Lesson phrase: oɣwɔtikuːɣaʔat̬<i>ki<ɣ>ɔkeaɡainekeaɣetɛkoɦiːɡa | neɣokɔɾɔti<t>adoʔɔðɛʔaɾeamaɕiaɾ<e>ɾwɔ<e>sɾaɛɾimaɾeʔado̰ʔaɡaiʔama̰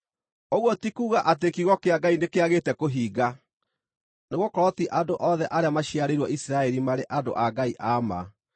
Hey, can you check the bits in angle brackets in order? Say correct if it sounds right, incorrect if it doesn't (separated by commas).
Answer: incorrect, correct, incorrect, correct, incorrect